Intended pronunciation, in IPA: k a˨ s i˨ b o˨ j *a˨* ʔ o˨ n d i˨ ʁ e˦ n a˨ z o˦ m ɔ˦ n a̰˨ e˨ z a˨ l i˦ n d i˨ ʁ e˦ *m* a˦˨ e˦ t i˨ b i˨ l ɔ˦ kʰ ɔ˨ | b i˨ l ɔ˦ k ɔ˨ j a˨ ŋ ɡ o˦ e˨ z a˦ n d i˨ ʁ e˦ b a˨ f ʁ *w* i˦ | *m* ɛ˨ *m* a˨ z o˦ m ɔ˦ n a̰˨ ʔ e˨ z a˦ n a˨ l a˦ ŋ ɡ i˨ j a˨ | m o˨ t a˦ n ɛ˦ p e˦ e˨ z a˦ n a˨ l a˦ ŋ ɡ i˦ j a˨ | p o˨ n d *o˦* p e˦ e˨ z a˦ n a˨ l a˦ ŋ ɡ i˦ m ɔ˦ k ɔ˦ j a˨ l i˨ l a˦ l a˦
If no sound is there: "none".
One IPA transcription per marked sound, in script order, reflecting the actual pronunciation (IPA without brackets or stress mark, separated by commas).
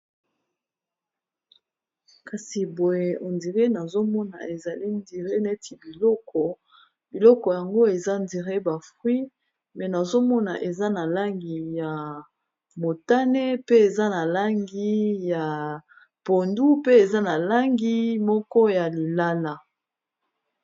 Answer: e˨, n, w, m, n, u˦